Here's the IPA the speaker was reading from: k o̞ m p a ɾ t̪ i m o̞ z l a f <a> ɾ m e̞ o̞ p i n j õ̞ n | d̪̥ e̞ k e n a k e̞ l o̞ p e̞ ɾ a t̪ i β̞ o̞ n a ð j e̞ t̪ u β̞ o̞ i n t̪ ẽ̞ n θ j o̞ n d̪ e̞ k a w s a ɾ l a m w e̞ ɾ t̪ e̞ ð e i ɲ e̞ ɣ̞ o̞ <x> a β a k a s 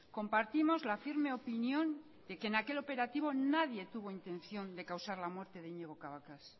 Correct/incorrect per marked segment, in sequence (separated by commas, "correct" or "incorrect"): incorrect, incorrect